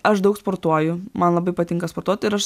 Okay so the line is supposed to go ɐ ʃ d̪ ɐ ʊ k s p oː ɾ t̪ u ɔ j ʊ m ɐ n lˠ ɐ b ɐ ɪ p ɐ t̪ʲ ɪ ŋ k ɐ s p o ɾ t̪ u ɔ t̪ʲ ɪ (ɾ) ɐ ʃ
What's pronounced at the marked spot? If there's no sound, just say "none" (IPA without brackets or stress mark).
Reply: ɾ